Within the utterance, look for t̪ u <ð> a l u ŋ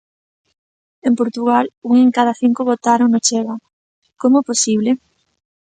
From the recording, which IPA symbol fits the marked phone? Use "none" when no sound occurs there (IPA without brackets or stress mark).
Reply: ɣ